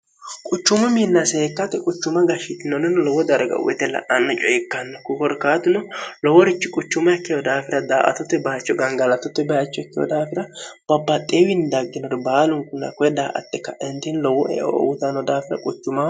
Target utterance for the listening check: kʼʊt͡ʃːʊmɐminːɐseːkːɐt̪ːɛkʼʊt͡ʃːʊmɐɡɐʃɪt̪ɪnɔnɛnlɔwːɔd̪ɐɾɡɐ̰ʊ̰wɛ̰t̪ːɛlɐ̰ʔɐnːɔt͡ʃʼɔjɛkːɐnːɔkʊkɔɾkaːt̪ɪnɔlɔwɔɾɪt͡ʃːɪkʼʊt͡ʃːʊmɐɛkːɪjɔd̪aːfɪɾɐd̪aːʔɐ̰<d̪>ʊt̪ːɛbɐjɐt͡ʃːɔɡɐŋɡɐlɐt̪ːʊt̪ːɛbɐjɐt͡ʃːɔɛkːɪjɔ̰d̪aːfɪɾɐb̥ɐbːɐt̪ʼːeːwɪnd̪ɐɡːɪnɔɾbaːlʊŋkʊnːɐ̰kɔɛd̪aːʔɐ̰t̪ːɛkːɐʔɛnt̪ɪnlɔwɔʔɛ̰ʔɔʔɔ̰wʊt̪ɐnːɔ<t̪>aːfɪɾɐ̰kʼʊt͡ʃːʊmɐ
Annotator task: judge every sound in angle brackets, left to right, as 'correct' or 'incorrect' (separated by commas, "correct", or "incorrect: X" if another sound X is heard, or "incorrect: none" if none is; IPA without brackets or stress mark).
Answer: incorrect: t̪, incorrect: d̪